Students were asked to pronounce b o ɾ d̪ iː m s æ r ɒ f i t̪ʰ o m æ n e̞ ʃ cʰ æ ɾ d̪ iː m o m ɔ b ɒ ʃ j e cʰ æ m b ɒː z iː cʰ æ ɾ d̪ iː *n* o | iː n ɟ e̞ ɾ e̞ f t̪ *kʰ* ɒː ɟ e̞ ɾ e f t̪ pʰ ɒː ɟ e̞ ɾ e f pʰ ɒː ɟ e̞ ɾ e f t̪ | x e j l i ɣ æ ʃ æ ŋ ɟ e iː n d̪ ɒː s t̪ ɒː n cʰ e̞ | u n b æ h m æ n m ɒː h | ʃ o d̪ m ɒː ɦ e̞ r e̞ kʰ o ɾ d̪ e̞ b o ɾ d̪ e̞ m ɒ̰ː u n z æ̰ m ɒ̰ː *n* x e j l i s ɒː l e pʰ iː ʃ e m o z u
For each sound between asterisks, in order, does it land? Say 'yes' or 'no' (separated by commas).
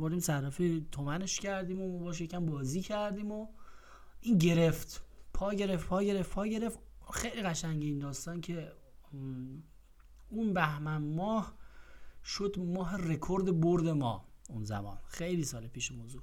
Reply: no, no, yes